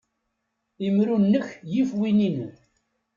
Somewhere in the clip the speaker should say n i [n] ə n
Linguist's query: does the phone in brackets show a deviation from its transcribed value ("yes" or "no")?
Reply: no